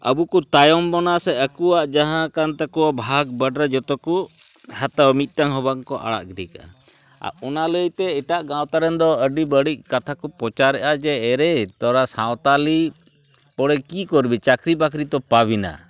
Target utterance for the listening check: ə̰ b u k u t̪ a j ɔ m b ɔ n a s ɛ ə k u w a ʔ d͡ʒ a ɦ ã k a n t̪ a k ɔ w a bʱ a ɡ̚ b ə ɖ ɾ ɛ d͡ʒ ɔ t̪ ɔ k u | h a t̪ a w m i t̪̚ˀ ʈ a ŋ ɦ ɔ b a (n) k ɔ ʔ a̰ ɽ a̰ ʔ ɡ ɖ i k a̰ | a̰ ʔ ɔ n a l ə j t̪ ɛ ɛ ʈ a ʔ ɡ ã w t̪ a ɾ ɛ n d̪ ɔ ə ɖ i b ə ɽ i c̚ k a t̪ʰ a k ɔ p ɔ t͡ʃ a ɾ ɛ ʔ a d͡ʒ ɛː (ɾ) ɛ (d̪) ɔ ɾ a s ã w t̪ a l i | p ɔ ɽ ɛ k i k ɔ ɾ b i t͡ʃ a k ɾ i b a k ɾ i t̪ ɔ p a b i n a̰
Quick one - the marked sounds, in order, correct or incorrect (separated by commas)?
incorrect, correct, incorrect